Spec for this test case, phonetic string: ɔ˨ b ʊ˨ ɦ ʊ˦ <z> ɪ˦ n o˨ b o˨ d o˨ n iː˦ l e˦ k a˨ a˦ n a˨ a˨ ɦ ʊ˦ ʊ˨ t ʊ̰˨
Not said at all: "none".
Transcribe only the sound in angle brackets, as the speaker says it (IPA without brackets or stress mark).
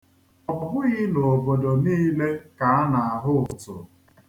ɣ